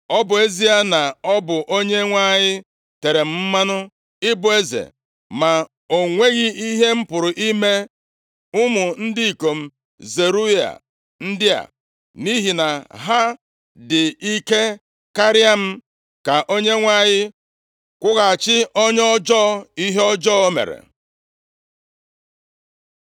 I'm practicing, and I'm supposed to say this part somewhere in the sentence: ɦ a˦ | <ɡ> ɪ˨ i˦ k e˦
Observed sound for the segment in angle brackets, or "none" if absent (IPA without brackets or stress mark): d